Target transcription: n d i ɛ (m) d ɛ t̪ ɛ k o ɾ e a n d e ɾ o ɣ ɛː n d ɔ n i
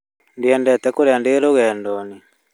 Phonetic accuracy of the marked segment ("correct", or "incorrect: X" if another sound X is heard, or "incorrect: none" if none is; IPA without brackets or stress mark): incorrect: n